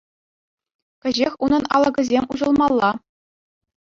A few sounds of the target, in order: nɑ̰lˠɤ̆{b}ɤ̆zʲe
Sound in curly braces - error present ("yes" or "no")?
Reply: yes